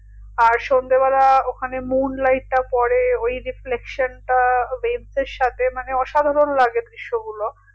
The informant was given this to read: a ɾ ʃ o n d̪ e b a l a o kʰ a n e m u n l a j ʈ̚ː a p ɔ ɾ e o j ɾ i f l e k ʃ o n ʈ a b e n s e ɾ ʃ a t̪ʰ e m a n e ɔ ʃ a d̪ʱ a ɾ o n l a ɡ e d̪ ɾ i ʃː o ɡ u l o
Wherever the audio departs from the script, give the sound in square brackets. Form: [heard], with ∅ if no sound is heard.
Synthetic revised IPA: a ɾ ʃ o n d̪ e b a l a o kʰ a n e m u n l a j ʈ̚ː a p ɔ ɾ e o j ɾ i f l e k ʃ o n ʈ a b e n s e ɾ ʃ a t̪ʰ e m a n e ɔ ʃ a d̪ʱ a ɾ o n l a ɡ e d̪ ɾ i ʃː o ɡ u l o